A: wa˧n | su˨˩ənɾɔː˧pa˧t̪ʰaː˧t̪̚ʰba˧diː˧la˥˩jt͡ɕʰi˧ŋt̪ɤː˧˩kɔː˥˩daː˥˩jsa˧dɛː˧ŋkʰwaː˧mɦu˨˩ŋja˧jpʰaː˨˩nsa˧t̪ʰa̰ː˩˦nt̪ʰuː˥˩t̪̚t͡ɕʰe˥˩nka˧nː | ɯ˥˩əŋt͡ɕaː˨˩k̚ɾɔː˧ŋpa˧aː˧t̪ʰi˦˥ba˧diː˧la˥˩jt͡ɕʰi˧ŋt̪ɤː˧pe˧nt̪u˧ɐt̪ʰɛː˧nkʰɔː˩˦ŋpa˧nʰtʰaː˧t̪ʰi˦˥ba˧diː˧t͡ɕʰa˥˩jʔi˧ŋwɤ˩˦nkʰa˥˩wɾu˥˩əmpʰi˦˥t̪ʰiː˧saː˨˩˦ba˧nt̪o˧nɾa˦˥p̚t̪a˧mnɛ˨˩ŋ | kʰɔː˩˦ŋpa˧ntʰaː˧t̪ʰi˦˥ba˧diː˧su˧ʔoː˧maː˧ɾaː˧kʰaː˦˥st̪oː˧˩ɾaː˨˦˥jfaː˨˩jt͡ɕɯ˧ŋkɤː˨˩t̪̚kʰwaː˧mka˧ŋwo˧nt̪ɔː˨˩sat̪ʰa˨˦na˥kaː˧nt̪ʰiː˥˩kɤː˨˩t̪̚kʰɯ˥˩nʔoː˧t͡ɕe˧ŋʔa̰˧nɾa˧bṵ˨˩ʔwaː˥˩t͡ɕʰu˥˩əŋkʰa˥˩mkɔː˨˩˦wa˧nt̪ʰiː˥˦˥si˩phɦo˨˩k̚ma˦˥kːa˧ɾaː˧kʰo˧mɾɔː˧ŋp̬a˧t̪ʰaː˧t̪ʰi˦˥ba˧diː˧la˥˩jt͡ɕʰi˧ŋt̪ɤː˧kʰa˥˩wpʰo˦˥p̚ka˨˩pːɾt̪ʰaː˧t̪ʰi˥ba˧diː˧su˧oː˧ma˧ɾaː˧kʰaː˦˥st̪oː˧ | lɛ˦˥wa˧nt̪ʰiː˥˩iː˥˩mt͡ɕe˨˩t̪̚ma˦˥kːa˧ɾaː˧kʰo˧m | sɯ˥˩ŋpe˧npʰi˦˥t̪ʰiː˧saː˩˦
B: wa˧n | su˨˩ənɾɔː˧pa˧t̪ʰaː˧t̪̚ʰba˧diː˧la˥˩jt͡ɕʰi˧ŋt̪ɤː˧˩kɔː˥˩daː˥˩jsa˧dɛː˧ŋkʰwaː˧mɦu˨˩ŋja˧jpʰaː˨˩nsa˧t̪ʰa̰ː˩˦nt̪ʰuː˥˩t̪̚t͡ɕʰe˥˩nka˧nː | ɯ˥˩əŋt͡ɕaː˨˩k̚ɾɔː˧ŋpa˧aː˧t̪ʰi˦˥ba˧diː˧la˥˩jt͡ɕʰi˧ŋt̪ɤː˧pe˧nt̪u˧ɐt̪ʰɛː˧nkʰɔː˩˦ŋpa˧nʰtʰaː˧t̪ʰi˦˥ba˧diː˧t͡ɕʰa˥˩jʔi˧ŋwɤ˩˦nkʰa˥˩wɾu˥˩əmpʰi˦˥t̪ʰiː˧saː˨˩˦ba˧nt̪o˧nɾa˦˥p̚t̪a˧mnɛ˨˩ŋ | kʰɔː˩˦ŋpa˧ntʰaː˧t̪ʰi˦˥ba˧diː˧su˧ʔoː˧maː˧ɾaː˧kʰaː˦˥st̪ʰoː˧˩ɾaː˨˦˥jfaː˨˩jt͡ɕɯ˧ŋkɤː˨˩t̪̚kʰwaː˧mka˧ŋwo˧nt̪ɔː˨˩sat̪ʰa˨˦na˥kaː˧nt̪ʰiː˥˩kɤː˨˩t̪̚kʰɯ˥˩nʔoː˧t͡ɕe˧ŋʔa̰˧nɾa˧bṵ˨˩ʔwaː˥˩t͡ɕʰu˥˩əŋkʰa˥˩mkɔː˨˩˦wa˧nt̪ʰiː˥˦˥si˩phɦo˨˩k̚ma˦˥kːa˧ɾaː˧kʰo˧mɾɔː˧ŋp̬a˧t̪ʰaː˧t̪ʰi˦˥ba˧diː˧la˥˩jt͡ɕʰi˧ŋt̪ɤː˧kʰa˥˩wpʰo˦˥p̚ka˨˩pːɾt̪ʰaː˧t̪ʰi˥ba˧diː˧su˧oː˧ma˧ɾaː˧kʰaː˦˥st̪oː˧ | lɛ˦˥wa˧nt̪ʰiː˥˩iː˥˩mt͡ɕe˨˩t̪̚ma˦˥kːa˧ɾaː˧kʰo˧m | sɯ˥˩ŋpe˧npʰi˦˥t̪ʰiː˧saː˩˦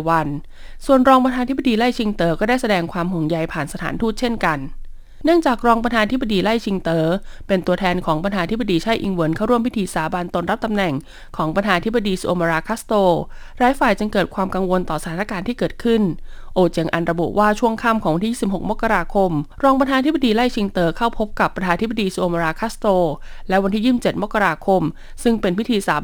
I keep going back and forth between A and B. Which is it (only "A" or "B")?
A